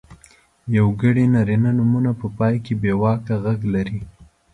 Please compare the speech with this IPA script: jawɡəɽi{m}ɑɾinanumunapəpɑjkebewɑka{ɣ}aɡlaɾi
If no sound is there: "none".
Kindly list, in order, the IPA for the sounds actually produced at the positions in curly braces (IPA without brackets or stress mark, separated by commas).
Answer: n, ɣ